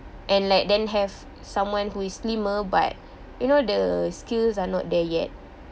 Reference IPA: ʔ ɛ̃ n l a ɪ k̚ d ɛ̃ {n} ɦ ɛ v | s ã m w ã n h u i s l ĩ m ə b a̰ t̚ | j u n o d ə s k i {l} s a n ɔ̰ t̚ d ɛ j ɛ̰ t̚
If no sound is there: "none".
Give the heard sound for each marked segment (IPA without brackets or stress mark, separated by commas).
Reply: n, l